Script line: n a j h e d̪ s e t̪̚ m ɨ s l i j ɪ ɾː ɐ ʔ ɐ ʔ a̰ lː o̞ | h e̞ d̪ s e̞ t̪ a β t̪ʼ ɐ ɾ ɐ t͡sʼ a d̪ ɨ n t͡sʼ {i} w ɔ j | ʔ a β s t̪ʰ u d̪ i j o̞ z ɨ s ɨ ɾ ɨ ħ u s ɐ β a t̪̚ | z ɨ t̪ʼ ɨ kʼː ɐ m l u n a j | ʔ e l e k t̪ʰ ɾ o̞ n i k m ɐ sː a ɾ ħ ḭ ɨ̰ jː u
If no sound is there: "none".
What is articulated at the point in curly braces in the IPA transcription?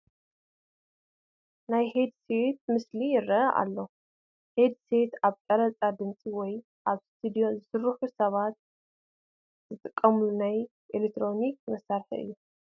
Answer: i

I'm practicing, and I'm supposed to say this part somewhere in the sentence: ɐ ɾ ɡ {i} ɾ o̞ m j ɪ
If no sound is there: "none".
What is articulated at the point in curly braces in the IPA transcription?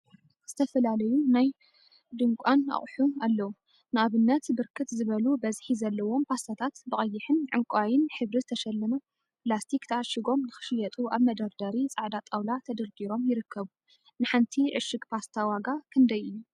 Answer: i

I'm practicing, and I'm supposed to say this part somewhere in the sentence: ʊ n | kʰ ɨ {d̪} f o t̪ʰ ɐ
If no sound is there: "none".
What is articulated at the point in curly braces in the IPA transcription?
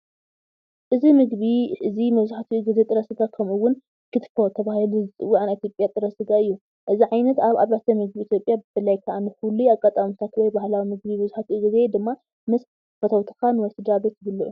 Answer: t̪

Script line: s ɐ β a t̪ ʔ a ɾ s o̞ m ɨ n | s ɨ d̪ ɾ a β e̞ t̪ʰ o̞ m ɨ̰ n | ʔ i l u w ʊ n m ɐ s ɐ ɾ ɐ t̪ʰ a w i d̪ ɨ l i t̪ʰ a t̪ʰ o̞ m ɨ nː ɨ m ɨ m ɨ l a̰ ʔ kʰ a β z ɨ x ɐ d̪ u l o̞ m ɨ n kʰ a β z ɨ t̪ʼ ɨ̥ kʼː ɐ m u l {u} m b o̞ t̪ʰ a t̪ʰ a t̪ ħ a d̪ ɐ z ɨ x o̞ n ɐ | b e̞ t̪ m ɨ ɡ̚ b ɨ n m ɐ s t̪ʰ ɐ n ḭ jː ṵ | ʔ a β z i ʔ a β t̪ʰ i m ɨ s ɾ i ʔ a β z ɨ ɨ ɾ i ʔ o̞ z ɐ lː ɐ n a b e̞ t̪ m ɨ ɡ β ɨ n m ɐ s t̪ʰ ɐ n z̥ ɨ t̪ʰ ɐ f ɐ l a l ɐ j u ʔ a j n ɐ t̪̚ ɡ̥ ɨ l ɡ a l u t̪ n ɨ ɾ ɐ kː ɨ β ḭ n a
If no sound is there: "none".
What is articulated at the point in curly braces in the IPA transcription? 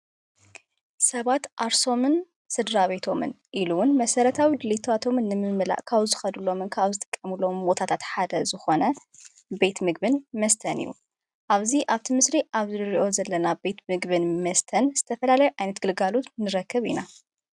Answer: o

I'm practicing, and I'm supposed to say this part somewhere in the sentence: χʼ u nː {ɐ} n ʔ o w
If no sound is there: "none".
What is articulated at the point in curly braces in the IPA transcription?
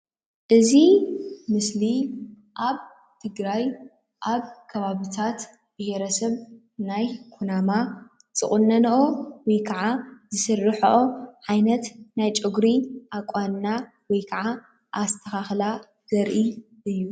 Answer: ɐ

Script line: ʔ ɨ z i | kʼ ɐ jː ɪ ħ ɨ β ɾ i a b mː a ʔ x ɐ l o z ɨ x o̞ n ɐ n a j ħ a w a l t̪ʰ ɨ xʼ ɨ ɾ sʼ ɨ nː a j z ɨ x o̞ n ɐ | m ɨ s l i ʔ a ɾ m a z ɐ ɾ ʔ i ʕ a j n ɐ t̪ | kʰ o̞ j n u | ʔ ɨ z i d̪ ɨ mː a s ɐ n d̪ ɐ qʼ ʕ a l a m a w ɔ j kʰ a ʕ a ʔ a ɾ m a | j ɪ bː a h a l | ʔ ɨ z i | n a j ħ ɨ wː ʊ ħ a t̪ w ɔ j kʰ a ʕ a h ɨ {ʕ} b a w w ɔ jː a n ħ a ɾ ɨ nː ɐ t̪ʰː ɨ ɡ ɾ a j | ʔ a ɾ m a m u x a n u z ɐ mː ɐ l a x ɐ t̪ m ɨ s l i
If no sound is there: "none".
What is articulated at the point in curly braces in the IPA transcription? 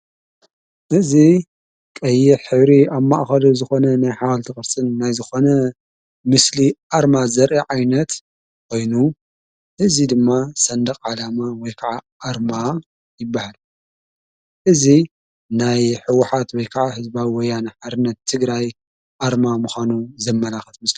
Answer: z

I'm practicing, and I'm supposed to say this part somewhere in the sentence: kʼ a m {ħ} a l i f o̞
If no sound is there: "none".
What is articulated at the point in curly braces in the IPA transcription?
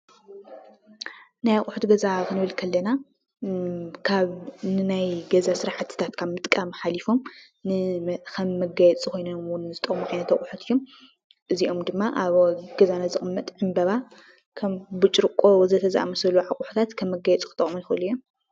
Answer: ħ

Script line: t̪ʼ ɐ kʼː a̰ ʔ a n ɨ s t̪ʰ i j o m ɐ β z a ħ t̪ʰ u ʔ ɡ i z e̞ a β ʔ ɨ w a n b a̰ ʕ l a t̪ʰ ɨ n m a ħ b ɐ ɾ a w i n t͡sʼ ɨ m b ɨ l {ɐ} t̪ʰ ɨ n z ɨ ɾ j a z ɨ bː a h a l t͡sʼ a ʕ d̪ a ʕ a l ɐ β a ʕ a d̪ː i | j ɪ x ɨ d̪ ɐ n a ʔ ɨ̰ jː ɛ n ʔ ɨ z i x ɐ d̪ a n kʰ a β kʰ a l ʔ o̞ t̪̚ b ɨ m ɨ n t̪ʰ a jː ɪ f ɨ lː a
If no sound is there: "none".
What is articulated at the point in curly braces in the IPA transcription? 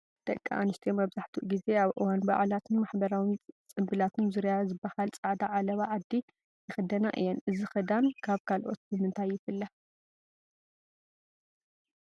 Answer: a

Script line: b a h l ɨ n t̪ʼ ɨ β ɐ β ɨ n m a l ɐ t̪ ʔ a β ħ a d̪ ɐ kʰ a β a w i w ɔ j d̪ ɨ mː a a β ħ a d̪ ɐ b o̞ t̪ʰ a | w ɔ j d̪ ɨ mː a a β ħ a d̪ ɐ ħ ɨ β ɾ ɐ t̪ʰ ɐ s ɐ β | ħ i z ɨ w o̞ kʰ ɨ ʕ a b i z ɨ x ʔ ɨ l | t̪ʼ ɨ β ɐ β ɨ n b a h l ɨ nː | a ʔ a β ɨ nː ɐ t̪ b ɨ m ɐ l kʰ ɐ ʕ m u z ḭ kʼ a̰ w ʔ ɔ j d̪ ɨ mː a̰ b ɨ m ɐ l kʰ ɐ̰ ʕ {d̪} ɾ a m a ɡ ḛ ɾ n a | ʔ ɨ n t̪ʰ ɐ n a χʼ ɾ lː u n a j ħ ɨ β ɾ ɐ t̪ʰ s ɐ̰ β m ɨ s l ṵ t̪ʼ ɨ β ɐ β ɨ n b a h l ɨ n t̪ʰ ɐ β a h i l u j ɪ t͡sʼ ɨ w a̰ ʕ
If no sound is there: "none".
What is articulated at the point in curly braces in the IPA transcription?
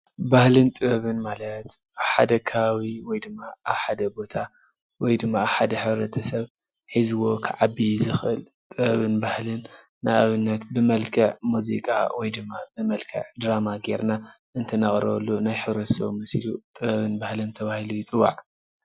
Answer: d̪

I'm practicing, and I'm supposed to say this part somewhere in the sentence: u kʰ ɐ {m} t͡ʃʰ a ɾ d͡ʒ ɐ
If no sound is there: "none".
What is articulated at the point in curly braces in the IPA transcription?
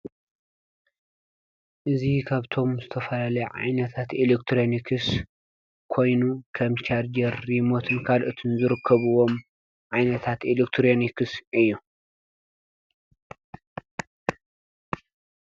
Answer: m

